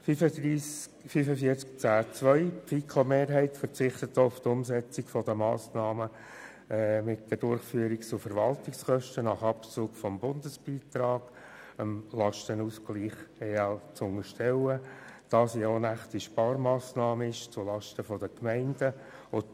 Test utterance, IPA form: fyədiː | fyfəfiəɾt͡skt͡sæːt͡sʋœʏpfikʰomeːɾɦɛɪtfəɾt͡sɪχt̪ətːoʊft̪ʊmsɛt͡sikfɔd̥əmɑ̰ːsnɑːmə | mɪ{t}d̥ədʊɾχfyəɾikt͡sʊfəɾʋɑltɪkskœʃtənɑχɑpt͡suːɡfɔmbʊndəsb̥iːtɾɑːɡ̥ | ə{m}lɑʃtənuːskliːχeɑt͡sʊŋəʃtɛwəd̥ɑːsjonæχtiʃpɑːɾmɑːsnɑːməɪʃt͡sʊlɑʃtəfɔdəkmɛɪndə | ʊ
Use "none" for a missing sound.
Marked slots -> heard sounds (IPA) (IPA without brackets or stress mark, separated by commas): t, m